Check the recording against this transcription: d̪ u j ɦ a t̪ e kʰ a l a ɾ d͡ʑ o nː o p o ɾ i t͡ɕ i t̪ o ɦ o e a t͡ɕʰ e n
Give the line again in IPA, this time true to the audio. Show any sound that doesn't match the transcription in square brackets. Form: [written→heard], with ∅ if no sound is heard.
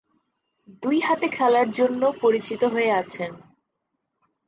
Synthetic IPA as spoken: d̪ u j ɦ a t̪ e kʰ [a→ɛ] l a ɾ d͡ʑ o nː o p o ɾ i t͡ɕ i t̪ o ɦ o e a t͡ɕʰ e n